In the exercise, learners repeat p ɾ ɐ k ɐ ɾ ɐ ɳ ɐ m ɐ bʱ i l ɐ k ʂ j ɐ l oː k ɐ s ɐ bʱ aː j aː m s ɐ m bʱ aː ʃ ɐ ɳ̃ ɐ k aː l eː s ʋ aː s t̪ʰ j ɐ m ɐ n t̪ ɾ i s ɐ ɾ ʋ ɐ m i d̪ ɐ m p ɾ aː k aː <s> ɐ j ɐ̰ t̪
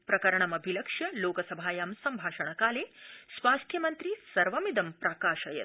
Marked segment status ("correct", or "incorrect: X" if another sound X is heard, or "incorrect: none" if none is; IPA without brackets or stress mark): incorrect: ʃ